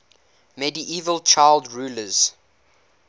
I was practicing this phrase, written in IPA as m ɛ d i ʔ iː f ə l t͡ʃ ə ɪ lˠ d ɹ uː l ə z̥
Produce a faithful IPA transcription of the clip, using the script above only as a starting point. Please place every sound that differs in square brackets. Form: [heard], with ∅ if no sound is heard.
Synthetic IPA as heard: m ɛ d i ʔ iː [v] ə l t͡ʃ [a] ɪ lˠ d ɹ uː l ə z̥